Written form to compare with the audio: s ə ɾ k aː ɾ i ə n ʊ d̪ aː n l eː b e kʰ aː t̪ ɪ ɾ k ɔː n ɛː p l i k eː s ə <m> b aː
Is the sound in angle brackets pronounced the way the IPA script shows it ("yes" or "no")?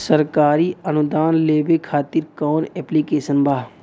no